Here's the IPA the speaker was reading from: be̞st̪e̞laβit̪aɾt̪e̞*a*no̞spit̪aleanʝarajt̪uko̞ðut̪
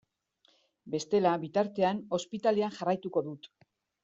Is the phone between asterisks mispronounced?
no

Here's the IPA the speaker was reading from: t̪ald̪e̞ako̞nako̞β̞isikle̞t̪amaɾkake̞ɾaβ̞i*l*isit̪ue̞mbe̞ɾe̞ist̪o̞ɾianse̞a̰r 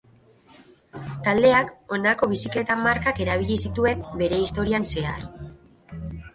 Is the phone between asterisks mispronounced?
yes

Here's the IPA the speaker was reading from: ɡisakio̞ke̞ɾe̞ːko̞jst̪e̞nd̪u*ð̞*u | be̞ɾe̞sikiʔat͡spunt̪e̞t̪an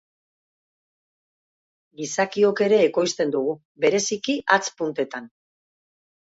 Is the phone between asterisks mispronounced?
yes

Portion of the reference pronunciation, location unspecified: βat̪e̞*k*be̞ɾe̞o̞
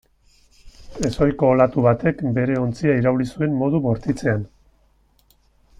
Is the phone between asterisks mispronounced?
no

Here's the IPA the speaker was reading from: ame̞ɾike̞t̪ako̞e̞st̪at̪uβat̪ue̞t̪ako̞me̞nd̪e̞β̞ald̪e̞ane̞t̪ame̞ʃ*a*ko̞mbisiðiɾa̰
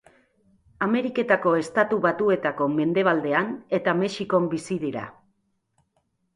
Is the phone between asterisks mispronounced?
yes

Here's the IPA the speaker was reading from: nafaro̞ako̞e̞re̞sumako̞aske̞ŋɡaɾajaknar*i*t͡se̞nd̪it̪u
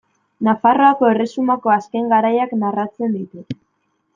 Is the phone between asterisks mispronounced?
yes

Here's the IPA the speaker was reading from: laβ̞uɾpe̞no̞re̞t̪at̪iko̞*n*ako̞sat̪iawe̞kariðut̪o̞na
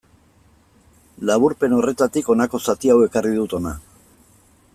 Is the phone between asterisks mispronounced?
no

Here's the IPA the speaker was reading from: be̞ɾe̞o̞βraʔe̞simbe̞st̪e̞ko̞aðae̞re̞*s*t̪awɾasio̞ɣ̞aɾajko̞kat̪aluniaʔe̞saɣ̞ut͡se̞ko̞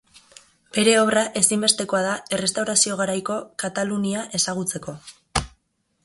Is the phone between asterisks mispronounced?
no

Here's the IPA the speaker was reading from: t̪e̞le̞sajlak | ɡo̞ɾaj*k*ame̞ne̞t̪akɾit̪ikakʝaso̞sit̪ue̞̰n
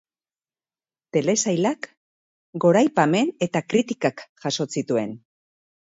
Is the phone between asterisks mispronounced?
yes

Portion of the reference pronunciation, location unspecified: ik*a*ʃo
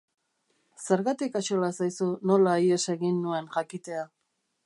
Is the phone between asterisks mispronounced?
no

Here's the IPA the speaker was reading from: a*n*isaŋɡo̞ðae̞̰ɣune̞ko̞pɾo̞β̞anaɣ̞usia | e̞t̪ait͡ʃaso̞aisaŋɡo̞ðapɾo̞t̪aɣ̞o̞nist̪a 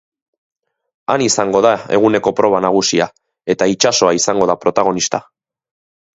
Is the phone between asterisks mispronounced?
no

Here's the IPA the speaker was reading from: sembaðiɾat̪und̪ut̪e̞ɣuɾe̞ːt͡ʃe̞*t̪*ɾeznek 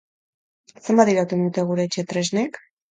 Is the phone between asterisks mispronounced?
no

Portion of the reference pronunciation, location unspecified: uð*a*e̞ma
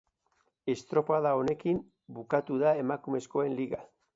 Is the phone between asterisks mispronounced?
no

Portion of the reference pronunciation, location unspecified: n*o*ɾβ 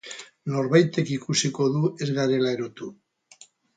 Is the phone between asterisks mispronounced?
no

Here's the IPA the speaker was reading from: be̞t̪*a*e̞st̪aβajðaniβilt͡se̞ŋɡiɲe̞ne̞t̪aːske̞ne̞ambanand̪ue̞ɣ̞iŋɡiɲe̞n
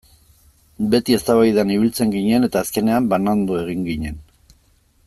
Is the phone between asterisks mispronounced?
yes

